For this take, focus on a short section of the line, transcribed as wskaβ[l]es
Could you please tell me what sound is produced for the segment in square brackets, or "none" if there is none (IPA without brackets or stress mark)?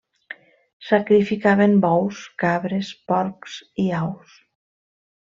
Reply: ɾ